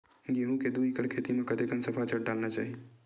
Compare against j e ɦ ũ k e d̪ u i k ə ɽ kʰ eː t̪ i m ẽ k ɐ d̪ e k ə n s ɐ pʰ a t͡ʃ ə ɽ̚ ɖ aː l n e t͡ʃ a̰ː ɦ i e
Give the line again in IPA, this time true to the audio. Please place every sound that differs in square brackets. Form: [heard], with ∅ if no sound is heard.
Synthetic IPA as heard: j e ɦ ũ k e d̪ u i k ə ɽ kʰ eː t̪ i m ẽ k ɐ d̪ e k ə n s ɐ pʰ a t͡ʃ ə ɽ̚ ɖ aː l n [a] t͡ʃ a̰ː ɦ i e